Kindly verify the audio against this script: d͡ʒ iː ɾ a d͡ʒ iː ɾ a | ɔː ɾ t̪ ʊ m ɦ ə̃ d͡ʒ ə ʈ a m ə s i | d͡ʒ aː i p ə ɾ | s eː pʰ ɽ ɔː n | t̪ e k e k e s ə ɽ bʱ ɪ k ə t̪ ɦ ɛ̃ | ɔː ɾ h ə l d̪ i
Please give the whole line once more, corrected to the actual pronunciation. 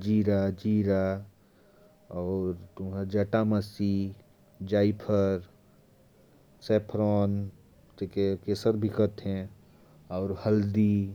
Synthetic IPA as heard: d͡ʒ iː ɾ a d͡ʒ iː ɾ a | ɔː ɾ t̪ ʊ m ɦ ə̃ d͡ʒ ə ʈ a m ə s i | d͡ʒ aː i pʰ ə ɾ | s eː pʰ ɾ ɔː n | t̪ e k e k e s ə ɾ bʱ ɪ k ə t̪ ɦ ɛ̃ | ɔː ɾ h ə l d̪ i